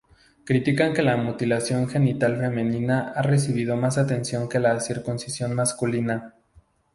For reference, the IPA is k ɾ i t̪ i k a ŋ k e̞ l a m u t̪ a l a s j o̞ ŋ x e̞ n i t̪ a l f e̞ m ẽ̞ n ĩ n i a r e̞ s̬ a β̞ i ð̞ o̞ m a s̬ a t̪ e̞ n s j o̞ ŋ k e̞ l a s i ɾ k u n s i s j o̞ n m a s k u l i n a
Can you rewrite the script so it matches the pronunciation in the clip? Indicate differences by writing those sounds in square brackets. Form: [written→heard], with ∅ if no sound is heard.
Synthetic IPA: k ɾ i t̪ i k a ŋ k e̞ l a m u t̪ [a→i] l a s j o̞ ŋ x e̞ n i t̪ a l f e̞ m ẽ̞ n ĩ n [i→a] a r e̞ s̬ [a→i] β̞ i ð̞ o̞ m a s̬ a t̪ e̞ n s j o̞ ŋ k e̞ l a s i ɾ k u n s i s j o̞ n m a s k u l i n a